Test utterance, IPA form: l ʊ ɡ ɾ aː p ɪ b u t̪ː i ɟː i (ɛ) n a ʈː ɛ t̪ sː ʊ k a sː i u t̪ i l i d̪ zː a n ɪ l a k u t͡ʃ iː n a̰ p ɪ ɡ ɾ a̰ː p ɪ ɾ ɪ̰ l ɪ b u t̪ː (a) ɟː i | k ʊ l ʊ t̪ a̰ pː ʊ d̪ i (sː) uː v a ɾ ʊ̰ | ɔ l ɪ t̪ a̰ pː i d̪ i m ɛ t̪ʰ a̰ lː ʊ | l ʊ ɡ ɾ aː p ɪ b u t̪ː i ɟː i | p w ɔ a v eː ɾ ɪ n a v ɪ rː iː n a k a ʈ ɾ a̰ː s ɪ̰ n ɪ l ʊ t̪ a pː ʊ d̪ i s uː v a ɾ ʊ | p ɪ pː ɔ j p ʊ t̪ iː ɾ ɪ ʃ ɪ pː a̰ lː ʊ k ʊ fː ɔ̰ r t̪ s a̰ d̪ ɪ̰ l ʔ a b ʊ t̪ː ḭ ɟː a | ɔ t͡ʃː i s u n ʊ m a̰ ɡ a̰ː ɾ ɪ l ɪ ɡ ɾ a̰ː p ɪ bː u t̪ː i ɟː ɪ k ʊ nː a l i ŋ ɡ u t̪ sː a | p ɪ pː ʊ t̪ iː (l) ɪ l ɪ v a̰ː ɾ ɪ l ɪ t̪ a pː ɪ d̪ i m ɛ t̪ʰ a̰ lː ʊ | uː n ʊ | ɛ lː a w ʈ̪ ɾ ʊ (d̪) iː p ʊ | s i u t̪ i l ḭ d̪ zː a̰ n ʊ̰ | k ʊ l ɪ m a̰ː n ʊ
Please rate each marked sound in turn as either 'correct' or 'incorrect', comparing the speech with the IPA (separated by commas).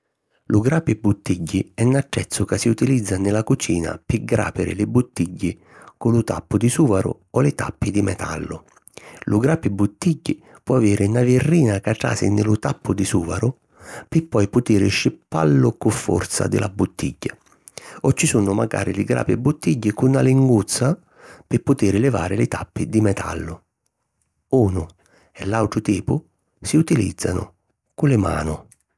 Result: correct, incorrect, incorrect, incorrect, incorrect